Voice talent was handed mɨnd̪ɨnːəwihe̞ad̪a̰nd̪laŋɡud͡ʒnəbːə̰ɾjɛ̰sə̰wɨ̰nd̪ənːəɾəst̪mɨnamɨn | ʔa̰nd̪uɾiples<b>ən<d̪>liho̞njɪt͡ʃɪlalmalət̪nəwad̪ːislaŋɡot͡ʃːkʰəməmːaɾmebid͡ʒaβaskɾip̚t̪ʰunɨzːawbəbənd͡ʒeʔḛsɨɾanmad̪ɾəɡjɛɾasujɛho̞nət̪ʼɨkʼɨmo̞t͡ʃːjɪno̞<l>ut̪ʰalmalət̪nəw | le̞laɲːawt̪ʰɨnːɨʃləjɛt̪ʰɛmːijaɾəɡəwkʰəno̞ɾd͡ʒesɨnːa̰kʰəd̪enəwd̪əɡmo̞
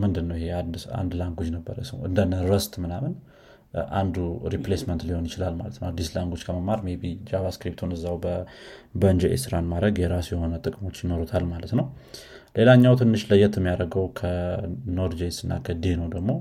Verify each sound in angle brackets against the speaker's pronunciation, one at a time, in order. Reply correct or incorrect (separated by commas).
incorrect, incorrect, incorrect